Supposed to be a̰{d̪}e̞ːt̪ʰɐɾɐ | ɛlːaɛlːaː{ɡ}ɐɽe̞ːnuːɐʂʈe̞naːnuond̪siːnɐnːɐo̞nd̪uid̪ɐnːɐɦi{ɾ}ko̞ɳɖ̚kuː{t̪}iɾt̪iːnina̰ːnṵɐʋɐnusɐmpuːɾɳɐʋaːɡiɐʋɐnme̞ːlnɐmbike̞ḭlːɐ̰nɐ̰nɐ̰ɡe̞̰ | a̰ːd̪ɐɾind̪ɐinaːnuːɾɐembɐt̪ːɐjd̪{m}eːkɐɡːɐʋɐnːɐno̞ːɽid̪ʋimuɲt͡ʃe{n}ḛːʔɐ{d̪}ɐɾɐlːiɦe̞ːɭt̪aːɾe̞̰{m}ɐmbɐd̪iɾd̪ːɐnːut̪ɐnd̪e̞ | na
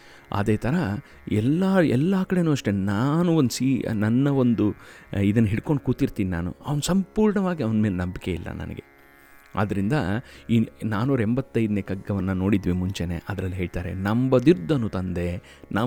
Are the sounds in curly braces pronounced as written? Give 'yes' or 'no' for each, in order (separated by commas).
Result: yes, no, no, yes, no, yes, yes, no